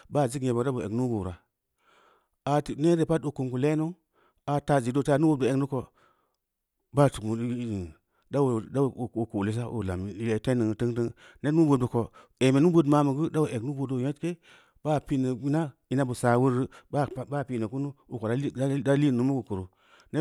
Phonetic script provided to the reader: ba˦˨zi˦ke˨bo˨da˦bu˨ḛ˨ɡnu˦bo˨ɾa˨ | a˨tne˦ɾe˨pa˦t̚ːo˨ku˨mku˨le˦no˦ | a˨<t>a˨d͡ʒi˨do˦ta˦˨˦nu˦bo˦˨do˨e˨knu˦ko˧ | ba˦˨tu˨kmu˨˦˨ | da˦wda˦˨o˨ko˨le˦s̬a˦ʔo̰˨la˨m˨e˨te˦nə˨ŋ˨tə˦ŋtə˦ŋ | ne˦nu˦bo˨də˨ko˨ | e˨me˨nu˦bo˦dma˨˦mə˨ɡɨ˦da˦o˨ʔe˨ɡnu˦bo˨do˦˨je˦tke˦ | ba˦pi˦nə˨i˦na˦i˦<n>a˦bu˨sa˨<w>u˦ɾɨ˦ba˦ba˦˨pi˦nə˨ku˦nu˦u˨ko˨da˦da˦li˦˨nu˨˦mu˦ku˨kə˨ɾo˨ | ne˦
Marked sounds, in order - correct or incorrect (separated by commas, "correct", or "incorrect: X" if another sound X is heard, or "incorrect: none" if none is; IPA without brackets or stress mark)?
correct, correct, correct